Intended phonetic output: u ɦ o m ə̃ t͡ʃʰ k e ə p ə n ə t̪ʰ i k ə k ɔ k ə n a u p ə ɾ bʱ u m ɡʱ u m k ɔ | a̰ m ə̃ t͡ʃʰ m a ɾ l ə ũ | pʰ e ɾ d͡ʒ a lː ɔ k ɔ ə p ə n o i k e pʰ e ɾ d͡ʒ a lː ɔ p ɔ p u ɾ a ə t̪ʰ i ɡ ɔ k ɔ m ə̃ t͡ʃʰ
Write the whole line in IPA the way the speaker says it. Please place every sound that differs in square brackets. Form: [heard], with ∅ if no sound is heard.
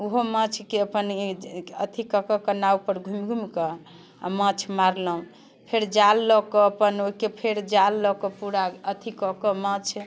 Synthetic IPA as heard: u ɦ o m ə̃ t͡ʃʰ k e ə p ə n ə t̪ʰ i k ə k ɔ k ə n a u p ə ɾ [ɡʱ] u m ɡʱ u m k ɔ | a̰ m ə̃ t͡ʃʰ m a ɾ l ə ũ | pʰ e ɾ d͡ʒ a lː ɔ k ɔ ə p ə n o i k e pʰ e ɾ d͡ʒ a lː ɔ [k] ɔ p u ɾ a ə t̪ʰ i [k] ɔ k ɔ m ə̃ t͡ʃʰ

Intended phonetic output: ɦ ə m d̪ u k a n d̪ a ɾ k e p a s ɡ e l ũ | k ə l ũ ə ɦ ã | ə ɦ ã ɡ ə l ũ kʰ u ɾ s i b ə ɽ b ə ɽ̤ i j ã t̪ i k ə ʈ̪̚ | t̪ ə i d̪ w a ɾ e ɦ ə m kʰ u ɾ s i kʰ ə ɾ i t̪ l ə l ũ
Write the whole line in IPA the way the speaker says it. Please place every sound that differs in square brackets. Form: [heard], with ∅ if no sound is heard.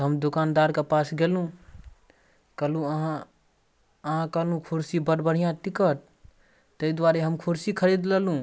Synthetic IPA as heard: ɦ ə m d̪ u k a n d̪ a ɾ k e p a s ɡ e l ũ | k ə l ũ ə ɦ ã | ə ɦ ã [k] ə l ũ kʰ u ɾ s i b ə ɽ b ə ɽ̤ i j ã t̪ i k ə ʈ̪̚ | t̪ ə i d̪ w a ɾ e ɦ ə m kʰ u ɾ s i kʰ ə ɾ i [d̪] l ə l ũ

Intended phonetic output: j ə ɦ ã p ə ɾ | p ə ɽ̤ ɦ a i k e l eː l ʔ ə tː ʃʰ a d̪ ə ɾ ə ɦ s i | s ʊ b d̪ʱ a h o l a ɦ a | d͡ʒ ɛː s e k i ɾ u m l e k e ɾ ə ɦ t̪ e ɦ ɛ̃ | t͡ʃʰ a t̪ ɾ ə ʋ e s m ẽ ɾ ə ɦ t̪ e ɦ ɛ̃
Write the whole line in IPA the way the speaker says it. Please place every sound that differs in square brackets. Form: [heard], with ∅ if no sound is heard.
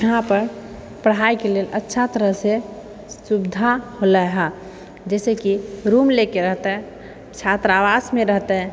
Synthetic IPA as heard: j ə ɦ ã p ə ɾ | p ə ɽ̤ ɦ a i k e l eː l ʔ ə tː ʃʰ a [t̪] ə ɾ ə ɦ s [e] | s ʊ b d̪ʱ a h o l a ɦ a | d͡ʒ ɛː s e k i ɾ u m l e k e ɾ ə ɦ t̪ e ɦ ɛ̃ | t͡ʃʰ a t̪ ɾ [a] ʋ [a] s m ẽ ɾ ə ɦ t̪ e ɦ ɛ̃

